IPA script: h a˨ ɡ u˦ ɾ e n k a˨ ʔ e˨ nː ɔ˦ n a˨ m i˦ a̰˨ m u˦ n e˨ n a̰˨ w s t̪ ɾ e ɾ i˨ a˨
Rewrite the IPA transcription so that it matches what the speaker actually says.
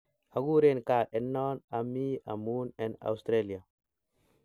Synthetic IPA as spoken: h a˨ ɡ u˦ ɾ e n k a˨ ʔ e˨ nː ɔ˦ n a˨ m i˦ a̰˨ m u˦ n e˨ n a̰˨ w s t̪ ɾ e l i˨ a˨

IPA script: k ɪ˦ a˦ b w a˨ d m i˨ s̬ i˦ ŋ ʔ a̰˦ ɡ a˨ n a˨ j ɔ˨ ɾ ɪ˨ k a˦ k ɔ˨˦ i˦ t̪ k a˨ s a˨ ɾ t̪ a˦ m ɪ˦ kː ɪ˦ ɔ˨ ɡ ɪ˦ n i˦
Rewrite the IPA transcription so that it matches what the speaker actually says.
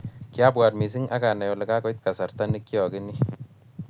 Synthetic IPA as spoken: k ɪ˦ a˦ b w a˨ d m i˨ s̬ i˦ ŋ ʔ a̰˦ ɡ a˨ n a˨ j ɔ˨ l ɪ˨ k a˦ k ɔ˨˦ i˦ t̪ k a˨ s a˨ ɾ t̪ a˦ n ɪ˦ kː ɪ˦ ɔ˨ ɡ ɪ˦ n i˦

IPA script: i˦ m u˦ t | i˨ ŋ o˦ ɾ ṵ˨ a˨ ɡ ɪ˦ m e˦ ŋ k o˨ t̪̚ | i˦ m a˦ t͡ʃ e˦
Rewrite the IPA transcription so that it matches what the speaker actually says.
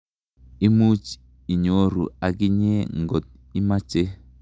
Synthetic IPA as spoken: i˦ m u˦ t͡ʃ | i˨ ɲ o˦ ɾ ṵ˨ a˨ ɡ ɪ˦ ɲ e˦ ŋ ɡ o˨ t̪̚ | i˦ m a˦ t͡ʃ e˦

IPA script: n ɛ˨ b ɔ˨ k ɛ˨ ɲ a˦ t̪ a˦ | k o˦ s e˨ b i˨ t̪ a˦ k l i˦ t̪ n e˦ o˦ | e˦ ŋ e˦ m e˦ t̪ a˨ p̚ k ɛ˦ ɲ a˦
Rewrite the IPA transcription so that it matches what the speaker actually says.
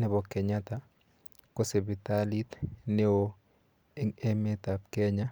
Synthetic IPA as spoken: n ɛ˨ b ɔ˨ k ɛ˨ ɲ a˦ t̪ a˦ | k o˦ s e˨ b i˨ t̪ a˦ l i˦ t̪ n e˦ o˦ | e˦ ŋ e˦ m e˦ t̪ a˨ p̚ k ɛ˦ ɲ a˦

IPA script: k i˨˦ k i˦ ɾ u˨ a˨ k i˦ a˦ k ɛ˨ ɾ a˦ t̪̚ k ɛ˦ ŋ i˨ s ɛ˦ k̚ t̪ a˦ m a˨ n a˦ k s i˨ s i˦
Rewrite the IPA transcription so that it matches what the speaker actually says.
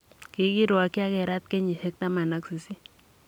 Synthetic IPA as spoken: k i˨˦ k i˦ ɾ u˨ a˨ k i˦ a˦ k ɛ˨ ɾ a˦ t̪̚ k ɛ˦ ɲ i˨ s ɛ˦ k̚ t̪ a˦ m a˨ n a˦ k s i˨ s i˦

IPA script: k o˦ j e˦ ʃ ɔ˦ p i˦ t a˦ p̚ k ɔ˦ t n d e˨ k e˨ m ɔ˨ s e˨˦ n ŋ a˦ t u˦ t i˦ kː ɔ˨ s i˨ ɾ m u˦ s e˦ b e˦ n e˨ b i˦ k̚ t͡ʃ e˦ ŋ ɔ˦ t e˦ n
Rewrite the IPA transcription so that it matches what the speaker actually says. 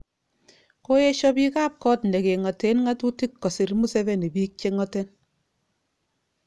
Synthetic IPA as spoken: k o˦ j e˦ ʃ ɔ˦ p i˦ k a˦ p̚ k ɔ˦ t n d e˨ k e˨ ŋ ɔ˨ t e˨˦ n ŋ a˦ t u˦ t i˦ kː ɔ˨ s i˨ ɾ m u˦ s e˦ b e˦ n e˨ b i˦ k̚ t͡ʃ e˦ ŋ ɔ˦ t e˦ n

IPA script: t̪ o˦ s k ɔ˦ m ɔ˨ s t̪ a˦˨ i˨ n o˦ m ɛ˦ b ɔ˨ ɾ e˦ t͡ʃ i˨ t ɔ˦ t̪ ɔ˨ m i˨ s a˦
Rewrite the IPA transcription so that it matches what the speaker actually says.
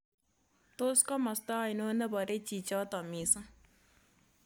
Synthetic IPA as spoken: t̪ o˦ s k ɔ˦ m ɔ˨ s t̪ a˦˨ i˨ n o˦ n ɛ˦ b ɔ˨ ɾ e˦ t͡ʃ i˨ t͡ʃ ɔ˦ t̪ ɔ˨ m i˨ s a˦

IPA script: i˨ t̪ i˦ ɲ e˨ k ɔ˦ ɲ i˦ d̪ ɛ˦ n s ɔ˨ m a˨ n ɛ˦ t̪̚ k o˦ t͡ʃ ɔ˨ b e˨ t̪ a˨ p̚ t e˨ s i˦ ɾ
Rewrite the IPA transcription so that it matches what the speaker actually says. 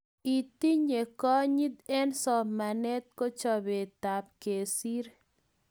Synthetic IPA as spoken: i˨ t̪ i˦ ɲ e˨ k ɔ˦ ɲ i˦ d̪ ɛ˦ n s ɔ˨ m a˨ n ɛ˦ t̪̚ k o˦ t͡ʃ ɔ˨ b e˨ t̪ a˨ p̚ k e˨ s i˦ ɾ

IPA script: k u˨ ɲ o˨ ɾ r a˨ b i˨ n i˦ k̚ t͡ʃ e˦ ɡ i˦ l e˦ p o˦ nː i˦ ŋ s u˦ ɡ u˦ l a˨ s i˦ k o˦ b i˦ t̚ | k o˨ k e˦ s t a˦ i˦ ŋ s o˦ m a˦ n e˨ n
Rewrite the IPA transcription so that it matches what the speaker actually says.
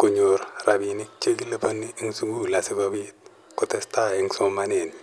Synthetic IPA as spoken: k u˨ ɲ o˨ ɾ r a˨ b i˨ n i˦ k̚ t͡ʃ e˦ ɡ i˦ l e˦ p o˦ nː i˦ ŋ s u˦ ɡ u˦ l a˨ s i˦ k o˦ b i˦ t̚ | k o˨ t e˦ s t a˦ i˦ ŋ s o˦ m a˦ n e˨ n

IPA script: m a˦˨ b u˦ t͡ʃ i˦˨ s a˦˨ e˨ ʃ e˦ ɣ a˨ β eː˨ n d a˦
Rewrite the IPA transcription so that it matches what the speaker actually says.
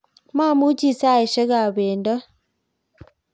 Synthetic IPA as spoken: m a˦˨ m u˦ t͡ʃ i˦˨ s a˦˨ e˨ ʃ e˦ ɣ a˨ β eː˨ n d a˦

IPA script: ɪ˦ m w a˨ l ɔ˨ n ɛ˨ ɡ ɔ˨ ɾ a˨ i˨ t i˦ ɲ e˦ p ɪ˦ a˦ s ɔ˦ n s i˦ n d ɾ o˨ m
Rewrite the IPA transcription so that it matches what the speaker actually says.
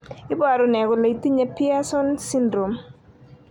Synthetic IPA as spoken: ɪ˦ b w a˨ ɾ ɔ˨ n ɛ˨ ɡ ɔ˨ l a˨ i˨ t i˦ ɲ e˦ p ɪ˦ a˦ s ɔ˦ n s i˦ n d ɾ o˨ m

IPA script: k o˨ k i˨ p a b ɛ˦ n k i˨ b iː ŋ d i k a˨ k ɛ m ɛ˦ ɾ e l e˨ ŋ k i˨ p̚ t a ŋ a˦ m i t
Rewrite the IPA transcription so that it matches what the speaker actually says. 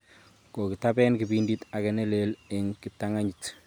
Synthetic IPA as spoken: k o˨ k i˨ t a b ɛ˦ n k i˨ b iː n d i t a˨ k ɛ n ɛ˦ l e l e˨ ŋ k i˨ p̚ t a ŋ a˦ ɲ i t

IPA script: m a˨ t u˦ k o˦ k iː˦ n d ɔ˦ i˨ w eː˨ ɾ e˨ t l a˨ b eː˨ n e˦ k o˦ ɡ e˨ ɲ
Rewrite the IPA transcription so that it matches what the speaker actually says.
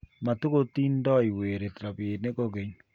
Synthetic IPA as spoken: m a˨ t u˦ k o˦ t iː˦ n d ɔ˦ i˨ w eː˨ ɾ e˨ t ɾ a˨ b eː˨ n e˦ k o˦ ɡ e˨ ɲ

